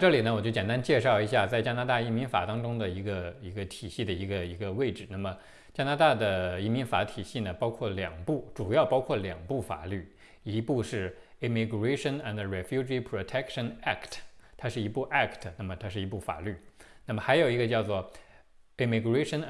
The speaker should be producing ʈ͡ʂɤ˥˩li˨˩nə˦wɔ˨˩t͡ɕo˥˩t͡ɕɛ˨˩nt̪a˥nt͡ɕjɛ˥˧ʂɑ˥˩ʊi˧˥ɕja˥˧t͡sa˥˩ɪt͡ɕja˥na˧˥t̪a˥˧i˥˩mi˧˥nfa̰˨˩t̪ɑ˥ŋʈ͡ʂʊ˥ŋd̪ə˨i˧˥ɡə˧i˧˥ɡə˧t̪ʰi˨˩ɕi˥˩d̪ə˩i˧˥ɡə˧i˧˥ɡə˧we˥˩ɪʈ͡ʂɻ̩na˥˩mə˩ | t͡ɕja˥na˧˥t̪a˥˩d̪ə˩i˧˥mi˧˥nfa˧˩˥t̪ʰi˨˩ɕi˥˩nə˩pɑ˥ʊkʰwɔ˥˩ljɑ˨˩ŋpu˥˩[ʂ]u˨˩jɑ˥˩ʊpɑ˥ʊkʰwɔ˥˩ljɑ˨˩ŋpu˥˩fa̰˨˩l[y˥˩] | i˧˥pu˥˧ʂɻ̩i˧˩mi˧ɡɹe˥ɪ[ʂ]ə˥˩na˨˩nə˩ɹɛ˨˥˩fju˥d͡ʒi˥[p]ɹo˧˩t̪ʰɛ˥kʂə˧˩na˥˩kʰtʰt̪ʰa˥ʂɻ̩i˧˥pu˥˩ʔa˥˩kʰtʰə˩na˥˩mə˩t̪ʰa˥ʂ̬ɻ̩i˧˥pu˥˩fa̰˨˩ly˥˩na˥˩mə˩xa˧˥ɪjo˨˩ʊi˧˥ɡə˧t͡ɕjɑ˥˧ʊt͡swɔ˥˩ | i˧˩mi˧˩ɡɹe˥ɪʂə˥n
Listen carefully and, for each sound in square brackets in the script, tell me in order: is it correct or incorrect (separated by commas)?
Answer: incorrect, correct, correct, incorrect